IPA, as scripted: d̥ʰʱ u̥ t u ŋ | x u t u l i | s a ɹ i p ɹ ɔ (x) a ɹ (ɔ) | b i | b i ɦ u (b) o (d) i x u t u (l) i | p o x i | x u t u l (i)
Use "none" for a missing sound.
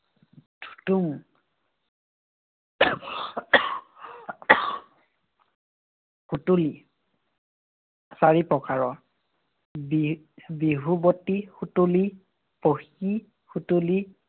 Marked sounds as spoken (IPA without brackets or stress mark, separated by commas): k, ɔ, b, t, l, i